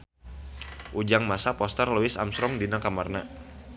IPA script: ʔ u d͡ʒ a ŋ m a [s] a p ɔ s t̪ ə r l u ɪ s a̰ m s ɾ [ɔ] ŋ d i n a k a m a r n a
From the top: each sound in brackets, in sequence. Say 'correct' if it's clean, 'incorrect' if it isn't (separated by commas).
correct, correct